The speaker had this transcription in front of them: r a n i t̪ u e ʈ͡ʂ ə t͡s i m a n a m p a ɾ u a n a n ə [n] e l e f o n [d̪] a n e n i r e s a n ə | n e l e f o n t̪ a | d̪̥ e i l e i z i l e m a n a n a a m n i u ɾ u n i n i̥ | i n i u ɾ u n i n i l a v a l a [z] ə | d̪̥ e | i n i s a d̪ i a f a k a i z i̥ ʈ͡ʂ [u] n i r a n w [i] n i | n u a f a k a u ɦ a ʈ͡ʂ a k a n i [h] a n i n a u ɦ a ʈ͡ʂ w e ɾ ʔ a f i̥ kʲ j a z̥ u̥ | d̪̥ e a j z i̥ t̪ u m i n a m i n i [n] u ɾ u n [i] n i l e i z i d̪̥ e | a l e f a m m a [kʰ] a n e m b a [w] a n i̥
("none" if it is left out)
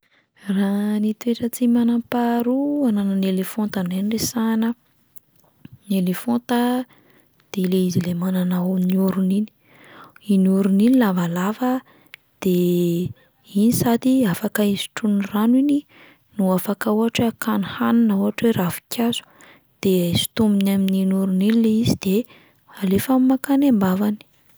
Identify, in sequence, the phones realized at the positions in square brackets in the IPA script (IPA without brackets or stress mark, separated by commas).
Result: n, t̪, v, u, i, h, n, i, k, v